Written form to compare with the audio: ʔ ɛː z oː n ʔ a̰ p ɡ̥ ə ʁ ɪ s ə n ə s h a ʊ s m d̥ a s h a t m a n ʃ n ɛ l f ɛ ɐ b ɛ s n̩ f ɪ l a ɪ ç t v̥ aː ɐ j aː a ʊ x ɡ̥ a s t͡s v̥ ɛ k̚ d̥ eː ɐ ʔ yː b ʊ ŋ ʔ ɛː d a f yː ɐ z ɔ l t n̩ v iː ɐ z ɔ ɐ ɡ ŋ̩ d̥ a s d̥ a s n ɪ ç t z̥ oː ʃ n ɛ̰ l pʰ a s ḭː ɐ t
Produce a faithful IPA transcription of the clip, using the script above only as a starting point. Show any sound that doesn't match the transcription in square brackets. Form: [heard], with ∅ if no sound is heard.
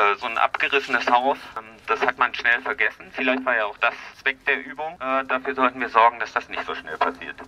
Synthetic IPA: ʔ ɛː z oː n ʔ a̰ p ɡ̥ ə ʁ ɪ s ə n ə s h a ʊ s m d̥ a s h a t m a n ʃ n ɛ l f ɛ ɐ [ɡ] ɛ s n̩ f ɪ l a ɪ ç t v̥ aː ɐ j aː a ʊ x [d̥] a s t͡s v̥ ɛ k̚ d̥ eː ɐ ʔ yː b ʊ ŋ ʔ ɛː d a f yː ɐ z ɔ l t n̩ v iː ɐ z ɔ ɐ ɡ ŋ̩ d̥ a s d̥ a s n ɪ ç t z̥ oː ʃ n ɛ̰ l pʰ a s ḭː ɐ t